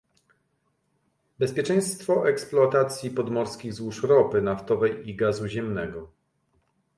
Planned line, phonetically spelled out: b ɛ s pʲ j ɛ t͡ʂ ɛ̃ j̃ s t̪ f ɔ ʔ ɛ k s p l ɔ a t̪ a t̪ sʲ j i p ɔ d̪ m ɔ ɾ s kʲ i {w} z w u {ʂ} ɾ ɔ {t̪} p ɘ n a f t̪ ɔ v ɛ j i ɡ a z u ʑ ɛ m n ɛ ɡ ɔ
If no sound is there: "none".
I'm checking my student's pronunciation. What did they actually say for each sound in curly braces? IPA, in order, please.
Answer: ɣ, ʂ, none

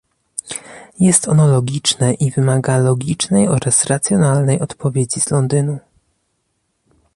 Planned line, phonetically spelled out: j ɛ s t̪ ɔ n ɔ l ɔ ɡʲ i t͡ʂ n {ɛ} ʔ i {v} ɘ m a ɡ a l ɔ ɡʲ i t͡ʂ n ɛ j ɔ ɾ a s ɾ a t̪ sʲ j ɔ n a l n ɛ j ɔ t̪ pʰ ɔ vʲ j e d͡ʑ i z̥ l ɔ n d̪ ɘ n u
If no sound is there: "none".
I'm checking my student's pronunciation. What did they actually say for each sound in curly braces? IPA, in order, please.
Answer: ɛ, v

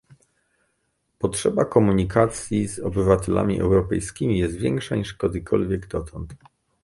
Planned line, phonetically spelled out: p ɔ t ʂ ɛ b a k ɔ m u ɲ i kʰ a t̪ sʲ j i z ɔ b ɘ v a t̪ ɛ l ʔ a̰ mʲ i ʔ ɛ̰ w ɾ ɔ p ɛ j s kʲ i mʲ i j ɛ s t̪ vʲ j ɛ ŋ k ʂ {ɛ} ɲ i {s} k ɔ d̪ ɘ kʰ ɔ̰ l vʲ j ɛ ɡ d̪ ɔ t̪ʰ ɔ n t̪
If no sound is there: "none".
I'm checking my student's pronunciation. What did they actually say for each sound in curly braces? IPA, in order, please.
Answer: a, ʂ

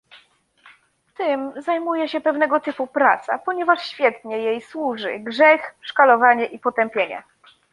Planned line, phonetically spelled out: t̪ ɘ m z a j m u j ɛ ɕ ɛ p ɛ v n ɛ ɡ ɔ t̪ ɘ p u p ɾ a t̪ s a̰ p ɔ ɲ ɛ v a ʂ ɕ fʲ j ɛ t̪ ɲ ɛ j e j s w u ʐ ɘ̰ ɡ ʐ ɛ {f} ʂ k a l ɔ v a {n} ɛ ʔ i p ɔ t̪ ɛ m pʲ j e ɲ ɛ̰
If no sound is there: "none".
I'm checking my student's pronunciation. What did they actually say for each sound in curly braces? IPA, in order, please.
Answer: x, ɲ

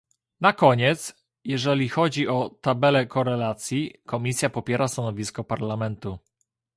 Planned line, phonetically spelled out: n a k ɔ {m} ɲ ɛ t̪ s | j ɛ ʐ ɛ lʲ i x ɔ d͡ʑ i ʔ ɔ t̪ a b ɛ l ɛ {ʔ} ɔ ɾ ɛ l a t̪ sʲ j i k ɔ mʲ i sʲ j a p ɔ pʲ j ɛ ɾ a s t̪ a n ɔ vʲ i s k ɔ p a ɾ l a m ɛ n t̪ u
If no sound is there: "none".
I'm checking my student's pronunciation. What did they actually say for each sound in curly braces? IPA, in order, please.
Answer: none, k

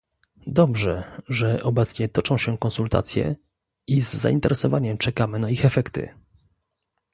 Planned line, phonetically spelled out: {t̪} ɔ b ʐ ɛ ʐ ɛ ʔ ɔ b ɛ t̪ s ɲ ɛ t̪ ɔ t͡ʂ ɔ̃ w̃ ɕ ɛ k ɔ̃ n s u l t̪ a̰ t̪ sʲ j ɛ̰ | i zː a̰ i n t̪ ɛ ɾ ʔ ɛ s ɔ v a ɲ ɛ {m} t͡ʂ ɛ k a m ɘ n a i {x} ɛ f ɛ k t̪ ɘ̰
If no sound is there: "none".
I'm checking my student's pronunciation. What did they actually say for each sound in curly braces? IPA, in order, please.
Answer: d̪, m, x

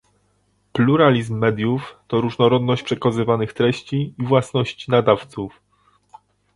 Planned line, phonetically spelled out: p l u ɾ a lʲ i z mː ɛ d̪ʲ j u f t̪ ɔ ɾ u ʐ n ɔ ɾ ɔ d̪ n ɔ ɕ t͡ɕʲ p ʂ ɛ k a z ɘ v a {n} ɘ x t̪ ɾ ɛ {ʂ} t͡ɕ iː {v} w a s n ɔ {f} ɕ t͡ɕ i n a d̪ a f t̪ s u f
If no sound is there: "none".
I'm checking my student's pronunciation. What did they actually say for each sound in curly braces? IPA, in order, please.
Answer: n, ɕ, v, none

